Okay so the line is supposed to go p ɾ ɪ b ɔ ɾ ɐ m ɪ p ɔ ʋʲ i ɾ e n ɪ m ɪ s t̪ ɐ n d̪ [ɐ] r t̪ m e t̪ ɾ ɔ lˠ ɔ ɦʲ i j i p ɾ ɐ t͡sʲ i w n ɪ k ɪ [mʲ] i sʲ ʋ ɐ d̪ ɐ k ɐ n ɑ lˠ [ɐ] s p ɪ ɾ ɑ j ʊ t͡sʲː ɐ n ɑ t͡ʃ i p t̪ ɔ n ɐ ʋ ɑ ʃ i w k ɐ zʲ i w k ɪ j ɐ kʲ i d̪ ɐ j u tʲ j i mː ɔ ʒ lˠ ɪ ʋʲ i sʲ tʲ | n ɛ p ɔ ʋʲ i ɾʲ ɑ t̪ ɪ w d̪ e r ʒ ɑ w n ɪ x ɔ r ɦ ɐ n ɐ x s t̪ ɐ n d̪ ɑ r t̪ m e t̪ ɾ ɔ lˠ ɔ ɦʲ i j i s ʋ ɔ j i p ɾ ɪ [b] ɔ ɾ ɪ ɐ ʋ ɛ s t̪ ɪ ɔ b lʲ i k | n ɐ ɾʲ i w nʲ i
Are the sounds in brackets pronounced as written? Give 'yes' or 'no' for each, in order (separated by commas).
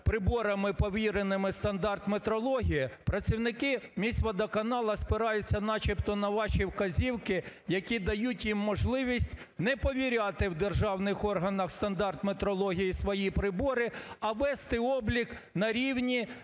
no, yes, yes, yes